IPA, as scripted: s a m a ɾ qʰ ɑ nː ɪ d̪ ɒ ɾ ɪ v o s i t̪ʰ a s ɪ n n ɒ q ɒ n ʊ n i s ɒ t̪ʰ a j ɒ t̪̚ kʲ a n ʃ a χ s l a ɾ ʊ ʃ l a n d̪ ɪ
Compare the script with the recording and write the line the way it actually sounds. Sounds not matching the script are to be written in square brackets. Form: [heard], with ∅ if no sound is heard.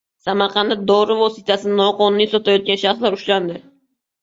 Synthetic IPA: s a m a ɾ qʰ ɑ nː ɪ d̪ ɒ ɾ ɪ v o s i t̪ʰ a s ɪ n n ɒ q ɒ n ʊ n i s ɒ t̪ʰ a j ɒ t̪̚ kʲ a n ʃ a χ s l a ɾ ʊ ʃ l a n d̪ ɪ